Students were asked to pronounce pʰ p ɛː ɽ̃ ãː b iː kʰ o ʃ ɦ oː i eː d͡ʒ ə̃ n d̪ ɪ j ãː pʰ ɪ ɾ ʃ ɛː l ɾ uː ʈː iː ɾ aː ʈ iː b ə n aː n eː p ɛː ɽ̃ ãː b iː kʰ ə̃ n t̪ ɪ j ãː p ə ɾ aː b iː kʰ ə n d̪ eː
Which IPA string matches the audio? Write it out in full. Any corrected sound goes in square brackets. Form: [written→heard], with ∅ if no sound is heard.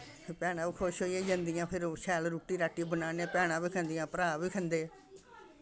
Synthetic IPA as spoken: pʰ p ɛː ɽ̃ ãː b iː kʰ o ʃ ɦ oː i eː d͡ʒ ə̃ n d̪ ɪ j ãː pʰ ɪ ɾ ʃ ɛː l ɾ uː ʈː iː ɾ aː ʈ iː b ə n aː n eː p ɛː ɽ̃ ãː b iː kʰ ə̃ n [t̪→d̪] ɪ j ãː p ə ɾ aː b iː kʰ ə n d̪ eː